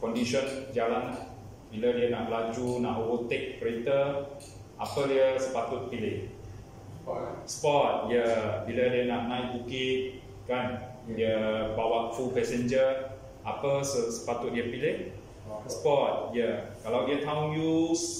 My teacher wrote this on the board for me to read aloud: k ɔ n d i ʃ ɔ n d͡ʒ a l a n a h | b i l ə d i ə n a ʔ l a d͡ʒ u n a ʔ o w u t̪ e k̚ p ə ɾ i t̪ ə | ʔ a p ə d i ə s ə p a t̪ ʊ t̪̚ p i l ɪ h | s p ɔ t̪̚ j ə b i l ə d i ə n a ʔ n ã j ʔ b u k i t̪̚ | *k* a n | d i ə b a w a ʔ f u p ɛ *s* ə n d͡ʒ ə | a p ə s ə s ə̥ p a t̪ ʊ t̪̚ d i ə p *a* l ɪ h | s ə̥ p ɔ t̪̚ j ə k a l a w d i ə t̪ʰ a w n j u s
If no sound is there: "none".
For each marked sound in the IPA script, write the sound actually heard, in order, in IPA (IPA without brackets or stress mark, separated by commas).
k, s, i